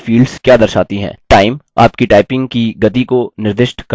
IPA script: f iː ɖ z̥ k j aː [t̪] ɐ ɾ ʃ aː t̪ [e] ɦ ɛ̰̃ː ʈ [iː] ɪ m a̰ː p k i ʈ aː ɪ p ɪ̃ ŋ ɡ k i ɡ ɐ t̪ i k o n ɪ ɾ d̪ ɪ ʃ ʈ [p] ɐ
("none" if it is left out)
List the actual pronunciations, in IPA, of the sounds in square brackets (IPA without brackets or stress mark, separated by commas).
d̪, i, aː, k